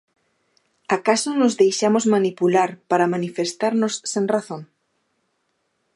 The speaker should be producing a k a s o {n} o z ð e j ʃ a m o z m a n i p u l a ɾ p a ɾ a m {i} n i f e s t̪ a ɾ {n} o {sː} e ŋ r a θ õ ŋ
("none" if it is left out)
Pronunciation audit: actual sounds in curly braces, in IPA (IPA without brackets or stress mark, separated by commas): n, a, n, sː